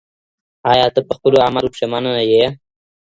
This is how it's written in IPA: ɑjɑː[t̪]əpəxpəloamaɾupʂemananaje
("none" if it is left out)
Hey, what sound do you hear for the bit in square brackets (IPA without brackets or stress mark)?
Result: t̪